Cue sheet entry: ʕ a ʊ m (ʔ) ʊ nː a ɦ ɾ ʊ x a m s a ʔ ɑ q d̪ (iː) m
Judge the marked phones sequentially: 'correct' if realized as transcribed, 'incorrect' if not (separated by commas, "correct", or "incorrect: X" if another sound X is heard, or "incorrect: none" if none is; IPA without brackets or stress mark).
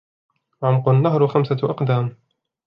incorrect: q, incorrect: aː